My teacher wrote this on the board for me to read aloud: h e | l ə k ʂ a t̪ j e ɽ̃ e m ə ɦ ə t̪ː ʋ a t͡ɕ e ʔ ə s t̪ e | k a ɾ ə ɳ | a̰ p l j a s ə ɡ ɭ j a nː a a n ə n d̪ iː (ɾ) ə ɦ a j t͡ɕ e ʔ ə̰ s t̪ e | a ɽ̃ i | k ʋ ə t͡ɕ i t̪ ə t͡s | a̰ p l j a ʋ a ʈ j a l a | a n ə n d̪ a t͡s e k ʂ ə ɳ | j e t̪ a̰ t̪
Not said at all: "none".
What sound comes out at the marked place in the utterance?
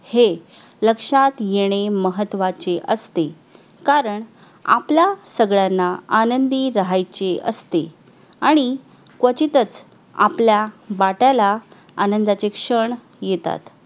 ɾ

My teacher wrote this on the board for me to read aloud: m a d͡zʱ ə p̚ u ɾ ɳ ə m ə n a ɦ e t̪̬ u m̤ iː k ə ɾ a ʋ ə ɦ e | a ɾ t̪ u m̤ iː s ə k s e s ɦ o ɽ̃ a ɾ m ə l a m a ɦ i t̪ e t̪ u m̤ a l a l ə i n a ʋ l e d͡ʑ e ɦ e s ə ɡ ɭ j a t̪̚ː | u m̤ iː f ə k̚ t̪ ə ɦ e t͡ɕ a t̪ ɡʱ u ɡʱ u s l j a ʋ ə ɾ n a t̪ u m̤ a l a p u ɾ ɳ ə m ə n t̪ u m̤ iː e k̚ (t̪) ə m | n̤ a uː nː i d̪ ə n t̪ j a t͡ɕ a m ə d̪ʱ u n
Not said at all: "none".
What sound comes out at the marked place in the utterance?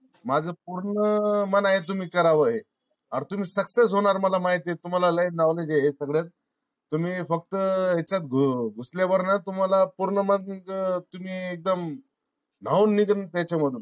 d̪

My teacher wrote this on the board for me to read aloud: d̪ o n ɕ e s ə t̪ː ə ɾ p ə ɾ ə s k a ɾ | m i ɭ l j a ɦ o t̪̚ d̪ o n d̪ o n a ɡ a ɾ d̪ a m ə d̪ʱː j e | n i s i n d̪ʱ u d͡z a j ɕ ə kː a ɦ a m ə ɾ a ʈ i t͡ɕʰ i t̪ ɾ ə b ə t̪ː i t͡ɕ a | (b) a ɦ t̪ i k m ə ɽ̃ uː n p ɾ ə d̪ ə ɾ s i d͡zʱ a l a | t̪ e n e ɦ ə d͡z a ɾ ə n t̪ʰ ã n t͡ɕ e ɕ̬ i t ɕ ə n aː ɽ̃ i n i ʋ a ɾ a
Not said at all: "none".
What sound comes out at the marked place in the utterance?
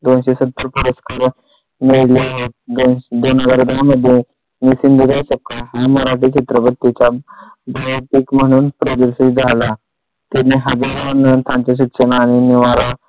b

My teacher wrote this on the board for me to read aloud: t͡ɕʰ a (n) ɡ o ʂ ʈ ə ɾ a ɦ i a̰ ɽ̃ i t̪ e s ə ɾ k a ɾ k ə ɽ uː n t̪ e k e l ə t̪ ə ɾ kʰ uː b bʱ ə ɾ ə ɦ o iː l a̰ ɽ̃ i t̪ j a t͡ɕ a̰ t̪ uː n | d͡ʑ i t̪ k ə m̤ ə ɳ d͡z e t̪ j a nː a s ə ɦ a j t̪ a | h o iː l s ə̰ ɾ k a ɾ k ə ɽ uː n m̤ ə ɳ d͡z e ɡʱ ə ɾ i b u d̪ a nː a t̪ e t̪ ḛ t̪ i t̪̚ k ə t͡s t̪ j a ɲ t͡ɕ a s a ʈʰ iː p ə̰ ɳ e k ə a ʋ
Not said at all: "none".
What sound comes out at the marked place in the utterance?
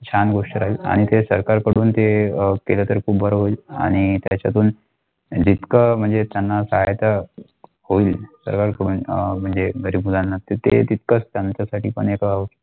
n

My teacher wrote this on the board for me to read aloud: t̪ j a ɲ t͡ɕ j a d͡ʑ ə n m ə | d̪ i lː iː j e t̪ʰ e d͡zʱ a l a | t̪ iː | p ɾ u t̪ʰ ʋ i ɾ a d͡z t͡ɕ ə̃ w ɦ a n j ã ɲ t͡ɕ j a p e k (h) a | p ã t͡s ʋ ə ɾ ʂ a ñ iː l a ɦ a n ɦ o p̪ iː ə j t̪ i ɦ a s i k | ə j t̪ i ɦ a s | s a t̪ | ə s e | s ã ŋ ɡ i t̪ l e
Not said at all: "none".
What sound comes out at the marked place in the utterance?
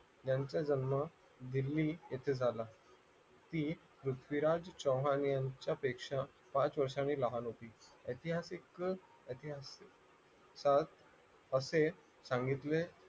ʂ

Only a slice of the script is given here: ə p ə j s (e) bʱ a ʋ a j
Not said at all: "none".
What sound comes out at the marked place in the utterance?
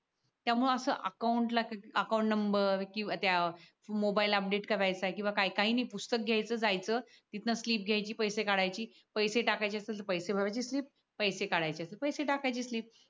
e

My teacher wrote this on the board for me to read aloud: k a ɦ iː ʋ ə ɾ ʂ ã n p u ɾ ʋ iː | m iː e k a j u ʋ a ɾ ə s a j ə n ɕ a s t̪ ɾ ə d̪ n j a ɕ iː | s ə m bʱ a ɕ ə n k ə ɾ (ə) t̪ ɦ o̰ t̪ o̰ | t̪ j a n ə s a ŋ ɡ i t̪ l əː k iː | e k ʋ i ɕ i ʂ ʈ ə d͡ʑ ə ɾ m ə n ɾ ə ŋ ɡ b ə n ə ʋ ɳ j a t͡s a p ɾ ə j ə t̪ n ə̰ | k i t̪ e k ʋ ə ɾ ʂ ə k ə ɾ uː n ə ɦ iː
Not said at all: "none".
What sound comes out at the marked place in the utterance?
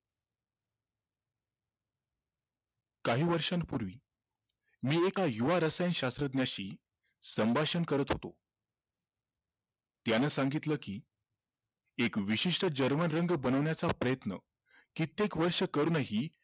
ə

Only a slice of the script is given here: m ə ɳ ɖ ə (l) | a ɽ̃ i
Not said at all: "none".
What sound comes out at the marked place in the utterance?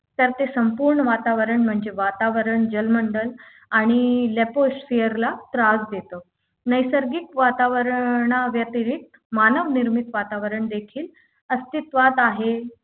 l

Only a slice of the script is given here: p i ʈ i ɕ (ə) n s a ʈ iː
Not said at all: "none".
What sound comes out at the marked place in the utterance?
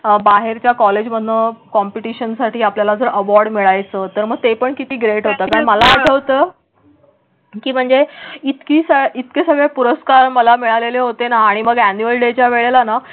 ə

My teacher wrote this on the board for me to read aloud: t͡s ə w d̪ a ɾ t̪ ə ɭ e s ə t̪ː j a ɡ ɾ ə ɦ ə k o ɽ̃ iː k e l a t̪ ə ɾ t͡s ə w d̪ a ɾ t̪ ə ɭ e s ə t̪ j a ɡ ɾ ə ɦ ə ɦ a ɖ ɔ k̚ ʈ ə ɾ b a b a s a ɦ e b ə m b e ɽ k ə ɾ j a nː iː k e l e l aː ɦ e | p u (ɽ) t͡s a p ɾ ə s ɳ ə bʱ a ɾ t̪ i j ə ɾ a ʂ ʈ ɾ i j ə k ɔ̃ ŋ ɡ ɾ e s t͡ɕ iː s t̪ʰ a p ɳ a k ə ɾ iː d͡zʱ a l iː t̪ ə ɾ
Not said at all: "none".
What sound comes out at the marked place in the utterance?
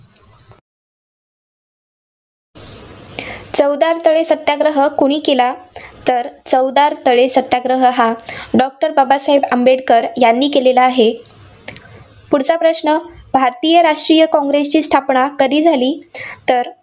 ɽ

